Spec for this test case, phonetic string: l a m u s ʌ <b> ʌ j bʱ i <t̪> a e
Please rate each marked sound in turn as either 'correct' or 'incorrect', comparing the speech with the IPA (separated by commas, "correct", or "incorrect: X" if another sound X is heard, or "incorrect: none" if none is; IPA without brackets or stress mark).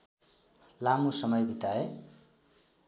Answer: incorrect: m, correct